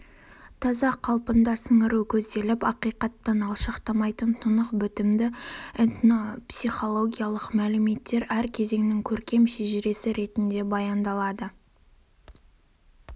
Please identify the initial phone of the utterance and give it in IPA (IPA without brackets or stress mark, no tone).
t̪ʰ